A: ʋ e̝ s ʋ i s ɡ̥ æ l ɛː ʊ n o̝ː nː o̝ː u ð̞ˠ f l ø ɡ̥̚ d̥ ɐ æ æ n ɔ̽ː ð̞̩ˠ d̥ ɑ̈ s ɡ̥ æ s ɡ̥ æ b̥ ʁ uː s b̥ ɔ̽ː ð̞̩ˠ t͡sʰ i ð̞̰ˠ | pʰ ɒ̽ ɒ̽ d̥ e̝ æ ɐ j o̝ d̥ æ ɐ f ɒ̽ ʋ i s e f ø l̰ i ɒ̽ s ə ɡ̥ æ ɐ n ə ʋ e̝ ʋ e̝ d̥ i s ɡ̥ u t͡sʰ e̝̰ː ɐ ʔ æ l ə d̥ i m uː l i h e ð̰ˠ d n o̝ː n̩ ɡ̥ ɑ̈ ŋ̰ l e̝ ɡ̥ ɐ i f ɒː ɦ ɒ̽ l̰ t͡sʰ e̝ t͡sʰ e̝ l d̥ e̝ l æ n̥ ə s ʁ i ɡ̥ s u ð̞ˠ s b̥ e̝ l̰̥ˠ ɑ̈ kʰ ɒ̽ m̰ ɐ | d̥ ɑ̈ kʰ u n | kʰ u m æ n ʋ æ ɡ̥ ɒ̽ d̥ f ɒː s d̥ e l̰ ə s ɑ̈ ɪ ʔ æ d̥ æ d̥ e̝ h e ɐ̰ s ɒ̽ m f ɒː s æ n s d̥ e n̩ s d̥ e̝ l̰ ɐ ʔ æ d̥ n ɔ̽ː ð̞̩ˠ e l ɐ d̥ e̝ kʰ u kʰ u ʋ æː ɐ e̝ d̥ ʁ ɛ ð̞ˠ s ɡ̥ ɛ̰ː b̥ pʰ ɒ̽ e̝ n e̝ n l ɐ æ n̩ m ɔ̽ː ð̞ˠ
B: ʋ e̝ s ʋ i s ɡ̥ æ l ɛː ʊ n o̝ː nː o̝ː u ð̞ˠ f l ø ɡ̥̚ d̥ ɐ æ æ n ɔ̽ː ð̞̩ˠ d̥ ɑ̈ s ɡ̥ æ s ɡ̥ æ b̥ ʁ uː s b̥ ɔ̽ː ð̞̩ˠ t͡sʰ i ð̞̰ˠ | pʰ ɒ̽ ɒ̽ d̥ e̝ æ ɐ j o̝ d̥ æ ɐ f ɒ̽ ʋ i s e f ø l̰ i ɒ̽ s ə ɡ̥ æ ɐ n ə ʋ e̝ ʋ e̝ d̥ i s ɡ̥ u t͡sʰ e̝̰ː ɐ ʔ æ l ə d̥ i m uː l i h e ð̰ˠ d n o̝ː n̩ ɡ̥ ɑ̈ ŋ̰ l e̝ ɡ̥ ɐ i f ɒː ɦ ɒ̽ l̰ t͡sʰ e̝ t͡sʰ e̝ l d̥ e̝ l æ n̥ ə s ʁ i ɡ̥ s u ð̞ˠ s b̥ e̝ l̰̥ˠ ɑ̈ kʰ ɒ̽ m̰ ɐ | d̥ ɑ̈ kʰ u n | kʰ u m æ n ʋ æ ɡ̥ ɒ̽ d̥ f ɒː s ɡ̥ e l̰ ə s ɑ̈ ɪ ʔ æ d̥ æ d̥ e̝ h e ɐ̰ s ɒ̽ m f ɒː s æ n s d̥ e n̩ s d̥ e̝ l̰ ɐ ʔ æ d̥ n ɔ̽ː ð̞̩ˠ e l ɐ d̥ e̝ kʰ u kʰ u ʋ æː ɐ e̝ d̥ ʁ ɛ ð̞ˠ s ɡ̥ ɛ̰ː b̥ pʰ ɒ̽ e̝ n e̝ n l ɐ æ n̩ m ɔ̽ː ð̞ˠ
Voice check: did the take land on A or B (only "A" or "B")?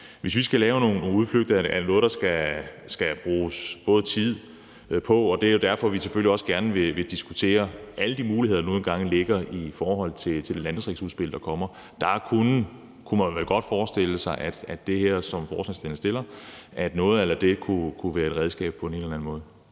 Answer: A